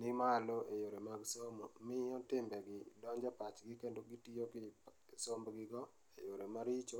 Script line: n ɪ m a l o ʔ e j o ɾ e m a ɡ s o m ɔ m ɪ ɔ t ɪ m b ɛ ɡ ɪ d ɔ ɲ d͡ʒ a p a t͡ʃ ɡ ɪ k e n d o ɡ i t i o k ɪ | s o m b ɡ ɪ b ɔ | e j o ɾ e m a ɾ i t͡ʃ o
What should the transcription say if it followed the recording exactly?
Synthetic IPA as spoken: n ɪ m a l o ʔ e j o ɾ e m a ɡ s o m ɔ m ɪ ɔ t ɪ m b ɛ ɡ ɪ d ɔ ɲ d͡ʒ a p a t͡ʃ ɡ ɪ k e n d o ɡ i t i o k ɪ | s o m b ɡ ɪ ɡ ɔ | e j o ɾ e m a ɾ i t͡ʃ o